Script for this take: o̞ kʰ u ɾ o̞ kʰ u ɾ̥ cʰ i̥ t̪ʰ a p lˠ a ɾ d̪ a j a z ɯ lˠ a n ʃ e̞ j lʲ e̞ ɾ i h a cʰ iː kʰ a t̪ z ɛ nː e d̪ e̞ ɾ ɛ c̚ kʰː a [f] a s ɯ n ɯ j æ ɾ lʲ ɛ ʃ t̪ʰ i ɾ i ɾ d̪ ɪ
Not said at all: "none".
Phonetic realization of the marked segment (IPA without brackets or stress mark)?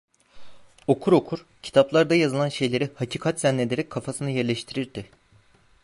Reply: f